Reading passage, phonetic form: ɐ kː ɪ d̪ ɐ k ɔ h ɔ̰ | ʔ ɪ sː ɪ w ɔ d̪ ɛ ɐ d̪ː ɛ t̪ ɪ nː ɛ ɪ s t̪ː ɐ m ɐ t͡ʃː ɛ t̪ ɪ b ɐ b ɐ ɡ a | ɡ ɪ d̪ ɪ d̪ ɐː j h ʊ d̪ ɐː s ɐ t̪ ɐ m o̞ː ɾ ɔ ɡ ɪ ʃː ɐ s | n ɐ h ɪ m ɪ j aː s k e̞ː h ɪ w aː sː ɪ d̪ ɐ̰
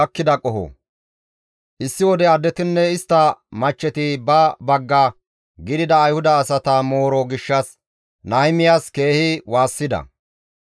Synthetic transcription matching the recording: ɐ kː ɪ d̪ ɐ kʼ ɔ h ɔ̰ | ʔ ɪ sː ɪ w ɔ d̪ ɛ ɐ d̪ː ɛ t̪ ɪ nː ɛ ɪ s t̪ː ɐ m ɐ t͡ʃː ɛ t̪ ɪ b ɐ b ɐ ɡː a | ɡ ɪ d̪ ɪ d̪ ɐː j h ʊ d̪ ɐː s ɐ t̪ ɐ m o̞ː ɾ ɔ ɡ ɪ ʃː ɐ s | n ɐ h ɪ m ɪ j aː s k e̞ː h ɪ w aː sː ɪ d̪ ɐ̰